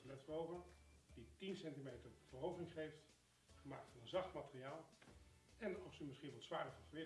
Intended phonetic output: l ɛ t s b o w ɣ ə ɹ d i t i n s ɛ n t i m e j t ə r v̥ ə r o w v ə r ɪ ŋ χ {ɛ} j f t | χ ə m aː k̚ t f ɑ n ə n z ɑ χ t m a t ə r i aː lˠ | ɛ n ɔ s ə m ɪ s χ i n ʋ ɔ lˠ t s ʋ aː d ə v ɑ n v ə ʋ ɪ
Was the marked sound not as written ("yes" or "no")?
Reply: yes